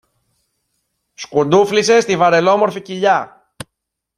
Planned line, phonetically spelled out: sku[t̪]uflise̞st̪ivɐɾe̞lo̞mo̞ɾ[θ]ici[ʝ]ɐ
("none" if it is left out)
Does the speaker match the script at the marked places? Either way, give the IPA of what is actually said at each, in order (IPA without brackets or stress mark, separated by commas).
d̪, f, ʎ